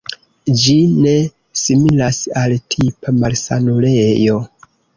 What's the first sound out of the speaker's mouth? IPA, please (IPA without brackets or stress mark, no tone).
d͡ʒ